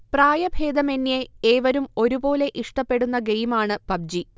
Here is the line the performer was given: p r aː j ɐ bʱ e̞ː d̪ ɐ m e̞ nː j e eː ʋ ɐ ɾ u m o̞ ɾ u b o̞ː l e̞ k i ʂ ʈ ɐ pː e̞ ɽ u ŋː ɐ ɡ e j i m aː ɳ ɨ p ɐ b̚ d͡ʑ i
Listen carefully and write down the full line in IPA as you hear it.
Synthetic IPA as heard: p r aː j ɐ bʱ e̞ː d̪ ɐ m e̞ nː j e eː ʋ ɐ ɾ u m o̞ ɾ u b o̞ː l e̞ ʔ i ʂ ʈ ɐ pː e̞ ɽ u nː ɐ ɡ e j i m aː ɳ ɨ p ɐ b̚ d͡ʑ i